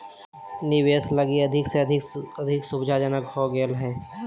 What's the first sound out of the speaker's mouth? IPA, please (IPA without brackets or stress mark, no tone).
n